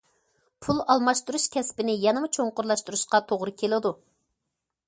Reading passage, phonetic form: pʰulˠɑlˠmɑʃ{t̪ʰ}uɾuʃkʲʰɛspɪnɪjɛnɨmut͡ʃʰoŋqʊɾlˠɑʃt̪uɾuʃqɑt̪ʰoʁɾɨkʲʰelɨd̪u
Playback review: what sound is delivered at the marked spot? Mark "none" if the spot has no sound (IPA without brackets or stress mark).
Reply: t̪